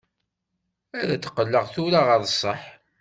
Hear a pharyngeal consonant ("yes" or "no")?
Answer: yes